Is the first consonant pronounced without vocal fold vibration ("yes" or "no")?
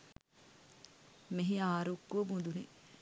no